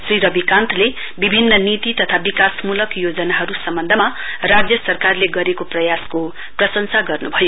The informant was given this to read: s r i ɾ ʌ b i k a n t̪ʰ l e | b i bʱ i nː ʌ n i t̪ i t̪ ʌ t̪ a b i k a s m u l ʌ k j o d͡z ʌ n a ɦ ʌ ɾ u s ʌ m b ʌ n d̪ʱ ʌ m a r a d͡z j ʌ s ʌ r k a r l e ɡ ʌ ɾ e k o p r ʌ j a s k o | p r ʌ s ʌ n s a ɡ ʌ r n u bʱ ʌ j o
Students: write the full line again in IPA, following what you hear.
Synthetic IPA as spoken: s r i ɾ ʌ b i k a n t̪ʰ l e | b i bʱ i nː ʌ n i t̪ i t̪ ʌ t̪ʰ a b i k a s m u l ʌ k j o d͡z ʌ n a ɦ ʌ ɾ u s ʌ m b ʌ n d̪ʱ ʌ m a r a d͡z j ʌ s ʌ r k a r l e ɡ ʌ ɾ e k o p r ʌ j a s k o | p r ʌ s ʌ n s a ɡ ʌ r n u bʱ ʌ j o